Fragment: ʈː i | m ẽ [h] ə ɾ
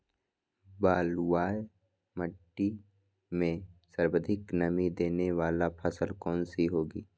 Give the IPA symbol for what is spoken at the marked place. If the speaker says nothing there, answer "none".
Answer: s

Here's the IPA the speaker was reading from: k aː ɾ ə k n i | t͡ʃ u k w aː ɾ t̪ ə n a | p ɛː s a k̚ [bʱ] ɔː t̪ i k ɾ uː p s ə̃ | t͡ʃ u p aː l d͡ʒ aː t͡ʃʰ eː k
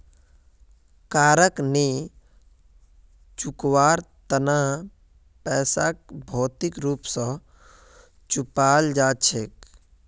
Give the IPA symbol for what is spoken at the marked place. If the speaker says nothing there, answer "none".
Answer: bʱ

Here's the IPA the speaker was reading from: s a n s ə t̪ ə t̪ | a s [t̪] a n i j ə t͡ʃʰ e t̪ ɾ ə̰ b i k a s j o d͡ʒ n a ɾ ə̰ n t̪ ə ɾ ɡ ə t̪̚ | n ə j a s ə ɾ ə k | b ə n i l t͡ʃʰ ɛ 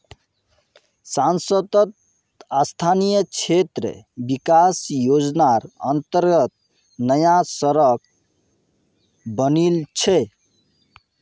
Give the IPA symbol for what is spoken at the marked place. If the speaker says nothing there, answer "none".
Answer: t̪ʰ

